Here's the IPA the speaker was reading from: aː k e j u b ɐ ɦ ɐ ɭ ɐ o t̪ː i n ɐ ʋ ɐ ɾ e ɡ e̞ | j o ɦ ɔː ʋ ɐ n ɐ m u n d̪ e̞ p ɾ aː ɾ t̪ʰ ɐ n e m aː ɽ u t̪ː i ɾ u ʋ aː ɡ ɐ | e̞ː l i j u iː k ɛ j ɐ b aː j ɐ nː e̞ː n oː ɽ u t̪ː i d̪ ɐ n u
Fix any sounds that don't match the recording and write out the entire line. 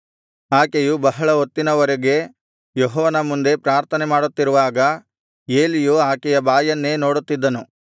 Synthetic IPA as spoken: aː k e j u b ɐ ɦ ɐ ɭ ɐ o t̪ː i n ɐ ʋ ɐ ɾ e ɡ e̞ | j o ɦ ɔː ʋ ɐ n ɐ m u n d̪ e̞ p ɾ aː ɾ t̪ʰ ɐ n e m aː ɽ u t̪ː i ɾ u ʋ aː ɡ ɐ | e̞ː l i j u aː k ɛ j ɐ b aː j ɐ nː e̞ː n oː ɽ u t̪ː i d̪ː ɐ n u